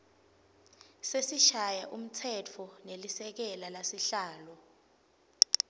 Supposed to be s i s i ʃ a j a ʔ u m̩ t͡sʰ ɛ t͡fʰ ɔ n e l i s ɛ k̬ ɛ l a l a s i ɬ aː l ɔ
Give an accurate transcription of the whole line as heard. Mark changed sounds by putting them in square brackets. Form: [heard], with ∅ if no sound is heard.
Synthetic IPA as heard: s [e] s i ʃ a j a ʔ u m̩ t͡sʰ ɛ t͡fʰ ɔ n e l i s ɛ k̬ ɛ l a l a s i ɬ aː l ɔ